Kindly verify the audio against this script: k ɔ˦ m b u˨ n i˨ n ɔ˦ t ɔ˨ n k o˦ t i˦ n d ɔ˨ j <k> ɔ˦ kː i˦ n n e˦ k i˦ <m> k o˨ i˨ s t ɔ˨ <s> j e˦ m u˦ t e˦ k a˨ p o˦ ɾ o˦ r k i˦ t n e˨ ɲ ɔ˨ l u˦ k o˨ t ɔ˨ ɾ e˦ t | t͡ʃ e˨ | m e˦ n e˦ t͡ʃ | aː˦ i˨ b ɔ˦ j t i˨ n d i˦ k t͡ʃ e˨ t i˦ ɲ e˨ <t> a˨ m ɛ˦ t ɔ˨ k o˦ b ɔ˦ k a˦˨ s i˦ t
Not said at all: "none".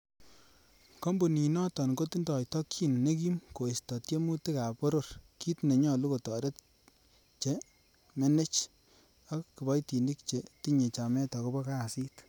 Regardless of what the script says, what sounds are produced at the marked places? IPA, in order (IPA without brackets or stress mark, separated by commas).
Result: t, m, t, t͡ʃ